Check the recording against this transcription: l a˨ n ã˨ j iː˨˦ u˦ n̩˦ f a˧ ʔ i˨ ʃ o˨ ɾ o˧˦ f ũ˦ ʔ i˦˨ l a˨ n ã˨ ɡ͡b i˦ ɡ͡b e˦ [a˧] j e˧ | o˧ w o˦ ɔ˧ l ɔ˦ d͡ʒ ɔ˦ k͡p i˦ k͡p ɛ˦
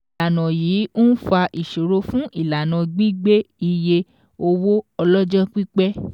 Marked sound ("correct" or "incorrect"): incorrect